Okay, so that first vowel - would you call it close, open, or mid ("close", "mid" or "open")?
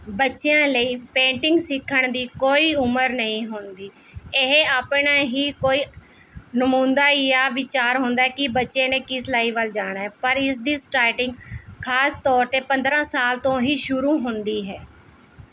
mid